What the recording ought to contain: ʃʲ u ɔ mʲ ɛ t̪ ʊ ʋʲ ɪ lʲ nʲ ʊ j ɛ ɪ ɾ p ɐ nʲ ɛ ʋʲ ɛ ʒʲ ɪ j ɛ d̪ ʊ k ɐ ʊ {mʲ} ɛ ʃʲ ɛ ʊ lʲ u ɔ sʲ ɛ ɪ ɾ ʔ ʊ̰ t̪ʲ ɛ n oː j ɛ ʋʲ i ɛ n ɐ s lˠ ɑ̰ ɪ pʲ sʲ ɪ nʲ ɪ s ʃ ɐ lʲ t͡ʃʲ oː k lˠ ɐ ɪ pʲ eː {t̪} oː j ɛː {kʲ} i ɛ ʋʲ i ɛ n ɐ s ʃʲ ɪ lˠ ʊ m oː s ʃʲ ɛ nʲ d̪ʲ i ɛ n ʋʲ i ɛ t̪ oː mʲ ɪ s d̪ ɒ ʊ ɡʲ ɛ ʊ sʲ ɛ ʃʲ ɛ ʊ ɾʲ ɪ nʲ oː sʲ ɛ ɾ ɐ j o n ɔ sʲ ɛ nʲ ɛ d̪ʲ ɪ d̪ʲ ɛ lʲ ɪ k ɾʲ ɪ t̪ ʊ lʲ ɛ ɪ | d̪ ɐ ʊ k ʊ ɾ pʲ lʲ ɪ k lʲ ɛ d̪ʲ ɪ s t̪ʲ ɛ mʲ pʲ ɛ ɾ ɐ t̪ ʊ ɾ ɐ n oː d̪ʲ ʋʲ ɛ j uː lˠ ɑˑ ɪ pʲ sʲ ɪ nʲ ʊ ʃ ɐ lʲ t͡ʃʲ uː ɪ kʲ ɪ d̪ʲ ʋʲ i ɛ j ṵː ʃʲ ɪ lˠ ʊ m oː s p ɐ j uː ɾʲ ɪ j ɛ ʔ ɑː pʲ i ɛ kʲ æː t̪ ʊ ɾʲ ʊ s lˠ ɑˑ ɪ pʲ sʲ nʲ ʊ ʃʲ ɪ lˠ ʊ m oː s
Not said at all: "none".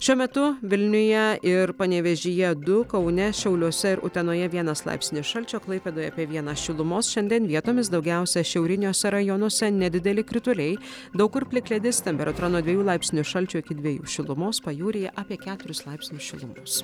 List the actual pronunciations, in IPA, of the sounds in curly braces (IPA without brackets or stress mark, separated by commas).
nʲ, d̪, pʲ